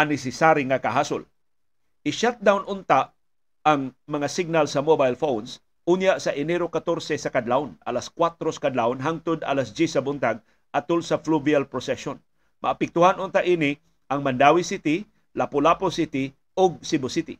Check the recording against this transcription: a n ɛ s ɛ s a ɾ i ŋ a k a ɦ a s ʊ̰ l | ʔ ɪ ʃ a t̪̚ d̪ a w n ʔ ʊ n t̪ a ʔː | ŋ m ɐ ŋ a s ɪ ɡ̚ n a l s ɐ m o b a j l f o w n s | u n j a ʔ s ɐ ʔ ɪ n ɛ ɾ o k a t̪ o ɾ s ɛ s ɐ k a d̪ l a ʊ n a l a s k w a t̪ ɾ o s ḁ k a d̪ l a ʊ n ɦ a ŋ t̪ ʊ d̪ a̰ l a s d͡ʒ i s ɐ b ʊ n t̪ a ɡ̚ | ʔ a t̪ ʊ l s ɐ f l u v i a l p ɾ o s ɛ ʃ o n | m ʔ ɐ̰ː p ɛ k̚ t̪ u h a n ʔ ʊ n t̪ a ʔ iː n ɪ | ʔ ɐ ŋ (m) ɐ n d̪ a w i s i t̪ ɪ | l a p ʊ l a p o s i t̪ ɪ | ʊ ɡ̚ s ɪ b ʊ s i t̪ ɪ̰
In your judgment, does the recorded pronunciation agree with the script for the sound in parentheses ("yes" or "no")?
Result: yes